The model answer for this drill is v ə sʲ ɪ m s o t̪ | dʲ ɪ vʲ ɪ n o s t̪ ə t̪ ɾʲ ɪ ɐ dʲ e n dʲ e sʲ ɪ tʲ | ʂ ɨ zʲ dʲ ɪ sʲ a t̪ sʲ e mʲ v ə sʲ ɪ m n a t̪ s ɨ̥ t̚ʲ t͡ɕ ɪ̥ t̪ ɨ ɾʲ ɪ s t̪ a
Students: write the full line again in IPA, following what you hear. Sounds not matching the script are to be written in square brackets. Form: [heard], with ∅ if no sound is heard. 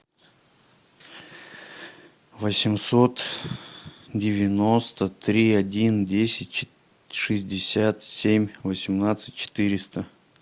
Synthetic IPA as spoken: v ə sʲ ɪ m s o t̪ | dʲ ɪ vʲ ɪ n o s t̪ ə t̪ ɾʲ [i] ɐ dʲ [i] n dʲ e sʲ ɪ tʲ | ʂ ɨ zʲ dʲ ɪ sʲ a t̪ sʲ e mʲ v ə sʲ ɪ m n a t̪ s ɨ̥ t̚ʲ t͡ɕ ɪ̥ t̪ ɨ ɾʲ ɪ s t̪ [ə]